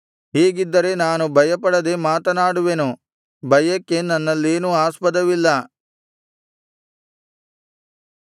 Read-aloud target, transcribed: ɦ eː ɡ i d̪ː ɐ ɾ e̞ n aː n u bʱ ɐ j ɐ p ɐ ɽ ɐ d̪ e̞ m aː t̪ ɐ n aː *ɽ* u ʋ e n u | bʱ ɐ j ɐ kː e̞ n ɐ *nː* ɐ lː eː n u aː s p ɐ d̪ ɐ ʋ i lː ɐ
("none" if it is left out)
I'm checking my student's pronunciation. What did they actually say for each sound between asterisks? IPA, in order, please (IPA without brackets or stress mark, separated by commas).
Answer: ɽ, nː